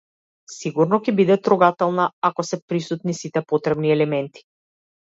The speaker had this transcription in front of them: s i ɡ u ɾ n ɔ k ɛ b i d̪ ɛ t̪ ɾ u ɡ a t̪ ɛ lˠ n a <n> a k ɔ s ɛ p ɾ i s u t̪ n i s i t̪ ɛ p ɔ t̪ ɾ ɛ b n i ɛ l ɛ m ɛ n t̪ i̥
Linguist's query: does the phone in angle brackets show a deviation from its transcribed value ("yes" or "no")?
yes